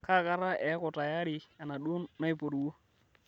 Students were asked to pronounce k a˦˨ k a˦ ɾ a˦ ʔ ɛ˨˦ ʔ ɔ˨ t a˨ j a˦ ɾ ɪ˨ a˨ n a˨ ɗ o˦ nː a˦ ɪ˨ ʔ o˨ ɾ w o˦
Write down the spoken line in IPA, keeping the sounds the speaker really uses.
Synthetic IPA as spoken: k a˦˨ k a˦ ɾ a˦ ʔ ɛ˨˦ k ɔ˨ t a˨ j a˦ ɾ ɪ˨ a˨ n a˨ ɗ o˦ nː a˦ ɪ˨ p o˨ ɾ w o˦

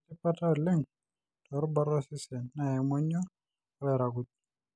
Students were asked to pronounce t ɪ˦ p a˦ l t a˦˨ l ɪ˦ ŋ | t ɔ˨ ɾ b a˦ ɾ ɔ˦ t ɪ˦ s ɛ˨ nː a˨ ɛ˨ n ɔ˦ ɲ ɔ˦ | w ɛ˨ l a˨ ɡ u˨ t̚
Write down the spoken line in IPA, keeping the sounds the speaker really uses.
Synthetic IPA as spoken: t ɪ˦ p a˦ t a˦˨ l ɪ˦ ŋ | t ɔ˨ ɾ b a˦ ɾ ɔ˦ s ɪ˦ s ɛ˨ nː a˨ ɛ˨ m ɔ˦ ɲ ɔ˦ | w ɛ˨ ɾ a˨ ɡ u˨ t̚

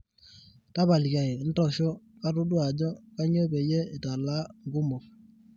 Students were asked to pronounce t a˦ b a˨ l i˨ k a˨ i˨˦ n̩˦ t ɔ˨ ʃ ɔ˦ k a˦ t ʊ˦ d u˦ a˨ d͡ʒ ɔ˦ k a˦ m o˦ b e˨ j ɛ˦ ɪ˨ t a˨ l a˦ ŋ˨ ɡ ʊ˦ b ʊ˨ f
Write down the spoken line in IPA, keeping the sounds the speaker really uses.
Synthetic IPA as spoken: t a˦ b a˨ l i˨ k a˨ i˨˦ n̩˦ t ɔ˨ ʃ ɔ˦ k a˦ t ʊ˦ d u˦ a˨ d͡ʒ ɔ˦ k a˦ ɲ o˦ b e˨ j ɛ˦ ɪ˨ t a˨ l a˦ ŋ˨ ɡ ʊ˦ m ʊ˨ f

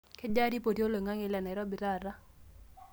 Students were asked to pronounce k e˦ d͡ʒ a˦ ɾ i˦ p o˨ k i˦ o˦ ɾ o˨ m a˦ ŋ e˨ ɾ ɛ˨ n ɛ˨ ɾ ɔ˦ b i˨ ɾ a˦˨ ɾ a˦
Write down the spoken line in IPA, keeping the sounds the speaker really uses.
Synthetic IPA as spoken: k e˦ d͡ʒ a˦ ɾ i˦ p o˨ t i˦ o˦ l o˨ ŋ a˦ ŋ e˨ l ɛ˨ n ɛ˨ ɾ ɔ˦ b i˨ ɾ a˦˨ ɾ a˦

